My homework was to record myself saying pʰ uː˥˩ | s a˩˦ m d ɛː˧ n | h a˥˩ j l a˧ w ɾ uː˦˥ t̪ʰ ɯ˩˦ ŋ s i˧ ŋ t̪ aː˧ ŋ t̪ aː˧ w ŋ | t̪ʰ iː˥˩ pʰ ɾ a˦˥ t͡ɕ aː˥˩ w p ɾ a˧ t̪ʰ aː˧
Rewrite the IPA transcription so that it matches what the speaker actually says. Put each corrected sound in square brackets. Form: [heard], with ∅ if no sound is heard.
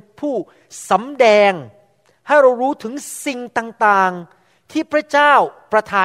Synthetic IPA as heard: pʰ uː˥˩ | s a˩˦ m d ɛː˧ [ŋ] | h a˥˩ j [ɾ] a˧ w ɾ uː˦˥ t̪ʰ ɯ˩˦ ŋ s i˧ ŋ t̪ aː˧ ŋ t̪ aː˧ [∅] ŋ | t̪ʰ iː˥˩ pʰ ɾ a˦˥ t͡ɕ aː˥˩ w p ɾ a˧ t̪ʰ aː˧